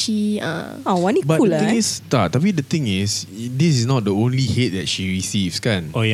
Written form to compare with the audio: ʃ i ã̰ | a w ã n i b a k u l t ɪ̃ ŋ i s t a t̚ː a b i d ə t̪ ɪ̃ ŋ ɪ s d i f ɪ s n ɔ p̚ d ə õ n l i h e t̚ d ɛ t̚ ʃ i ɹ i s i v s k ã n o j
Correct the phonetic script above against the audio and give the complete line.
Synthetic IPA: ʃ i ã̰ | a w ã n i b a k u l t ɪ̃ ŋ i s t a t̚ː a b i d ə t̪ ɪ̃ ŋ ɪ s d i s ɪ s n ɔ t̚ d ə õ n l i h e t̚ d ɛ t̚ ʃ i ɹ i s i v s k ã n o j